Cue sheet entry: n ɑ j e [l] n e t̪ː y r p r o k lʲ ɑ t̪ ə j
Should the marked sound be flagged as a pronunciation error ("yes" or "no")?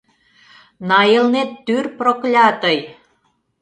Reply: no